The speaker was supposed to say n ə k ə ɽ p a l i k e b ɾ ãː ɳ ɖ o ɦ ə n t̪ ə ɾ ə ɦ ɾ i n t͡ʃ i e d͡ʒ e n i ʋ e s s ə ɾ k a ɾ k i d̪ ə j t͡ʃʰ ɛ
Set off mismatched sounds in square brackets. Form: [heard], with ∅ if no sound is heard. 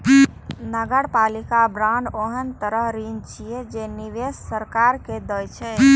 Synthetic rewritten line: n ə [ɡ] ə ɽ p a l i k [a] b ɾ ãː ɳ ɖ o ɦ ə n t̪ ə ɾ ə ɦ ɾ i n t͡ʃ i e d͡ʒ e n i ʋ e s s ə ɾ k a ɾ k [e] d̪ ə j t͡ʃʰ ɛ